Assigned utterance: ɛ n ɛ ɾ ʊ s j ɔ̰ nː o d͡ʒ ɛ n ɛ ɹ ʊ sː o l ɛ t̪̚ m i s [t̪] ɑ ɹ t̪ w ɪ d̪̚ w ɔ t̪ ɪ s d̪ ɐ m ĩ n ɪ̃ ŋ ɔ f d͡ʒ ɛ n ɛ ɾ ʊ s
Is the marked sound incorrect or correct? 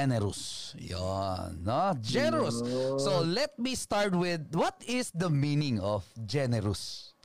correct